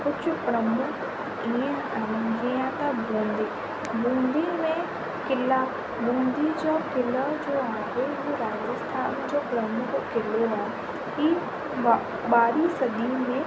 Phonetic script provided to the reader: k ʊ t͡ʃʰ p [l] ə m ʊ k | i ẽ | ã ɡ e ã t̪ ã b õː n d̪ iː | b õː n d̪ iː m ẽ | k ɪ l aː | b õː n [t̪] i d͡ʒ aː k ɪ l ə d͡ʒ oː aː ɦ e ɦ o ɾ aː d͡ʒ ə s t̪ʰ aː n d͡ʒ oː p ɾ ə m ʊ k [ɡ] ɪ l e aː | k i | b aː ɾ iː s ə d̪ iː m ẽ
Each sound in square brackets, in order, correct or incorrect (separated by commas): incorrect, incorrect, incorrect